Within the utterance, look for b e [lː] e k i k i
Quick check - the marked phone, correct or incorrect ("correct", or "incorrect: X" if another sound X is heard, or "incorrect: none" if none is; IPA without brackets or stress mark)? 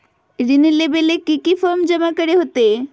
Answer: incorrect: l